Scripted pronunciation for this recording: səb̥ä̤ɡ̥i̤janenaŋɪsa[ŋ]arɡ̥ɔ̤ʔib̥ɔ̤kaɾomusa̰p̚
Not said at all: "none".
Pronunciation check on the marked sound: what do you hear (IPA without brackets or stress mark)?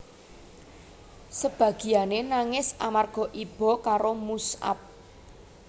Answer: m